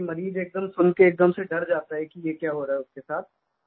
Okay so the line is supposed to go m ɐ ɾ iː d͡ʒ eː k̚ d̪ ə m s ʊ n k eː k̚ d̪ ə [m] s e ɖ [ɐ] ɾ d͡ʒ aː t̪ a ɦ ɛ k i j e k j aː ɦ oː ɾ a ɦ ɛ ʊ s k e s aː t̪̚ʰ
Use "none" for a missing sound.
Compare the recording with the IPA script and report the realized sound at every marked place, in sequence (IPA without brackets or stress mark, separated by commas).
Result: m, ɐ